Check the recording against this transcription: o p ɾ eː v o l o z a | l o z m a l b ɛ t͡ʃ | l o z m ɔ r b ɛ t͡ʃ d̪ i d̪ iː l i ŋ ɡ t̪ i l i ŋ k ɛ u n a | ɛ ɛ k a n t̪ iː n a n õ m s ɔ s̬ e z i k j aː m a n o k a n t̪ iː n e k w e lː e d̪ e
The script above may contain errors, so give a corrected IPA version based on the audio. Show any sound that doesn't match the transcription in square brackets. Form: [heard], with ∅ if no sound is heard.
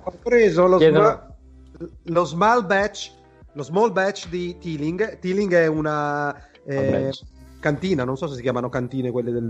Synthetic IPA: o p ɾ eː [z] o l o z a | l o z m a l b ɛ t͡ʃ | l o z m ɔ [l] b ɛ t͡ʃ d̪ i [t̪] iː l i ŋ ɡ t̪ i l i ŋ [ɡ] ɛ u n a | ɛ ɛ k a n t̪ iː n a n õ [n] s ɔ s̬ e [s] i k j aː m a n o k a n t̪ iː n e k w e lː e d̪ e